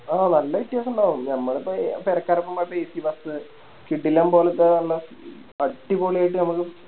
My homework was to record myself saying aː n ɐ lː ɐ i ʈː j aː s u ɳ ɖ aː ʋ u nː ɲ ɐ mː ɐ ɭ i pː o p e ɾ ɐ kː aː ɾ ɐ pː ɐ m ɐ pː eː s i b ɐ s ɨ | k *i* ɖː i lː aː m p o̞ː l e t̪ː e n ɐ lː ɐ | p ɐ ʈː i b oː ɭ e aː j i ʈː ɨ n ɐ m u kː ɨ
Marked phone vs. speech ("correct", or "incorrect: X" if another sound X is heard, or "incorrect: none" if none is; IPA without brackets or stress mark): correct